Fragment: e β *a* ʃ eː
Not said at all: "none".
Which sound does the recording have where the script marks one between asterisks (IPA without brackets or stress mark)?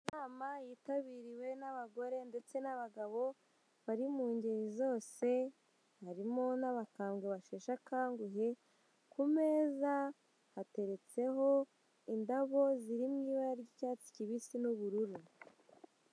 a